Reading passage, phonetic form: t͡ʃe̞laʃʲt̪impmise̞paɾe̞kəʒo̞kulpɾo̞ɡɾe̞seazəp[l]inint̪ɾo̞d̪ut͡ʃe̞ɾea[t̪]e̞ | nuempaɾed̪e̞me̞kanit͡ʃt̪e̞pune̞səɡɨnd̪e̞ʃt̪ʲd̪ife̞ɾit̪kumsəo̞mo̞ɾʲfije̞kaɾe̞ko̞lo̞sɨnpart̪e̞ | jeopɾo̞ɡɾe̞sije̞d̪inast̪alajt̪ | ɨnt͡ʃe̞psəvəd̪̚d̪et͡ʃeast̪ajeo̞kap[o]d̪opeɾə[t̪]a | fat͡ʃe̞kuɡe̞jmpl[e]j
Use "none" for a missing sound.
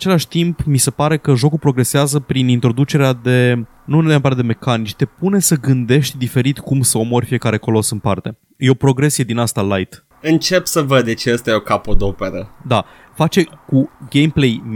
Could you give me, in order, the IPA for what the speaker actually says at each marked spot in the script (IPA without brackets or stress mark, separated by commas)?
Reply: ɾ, d̪, o, d̪, e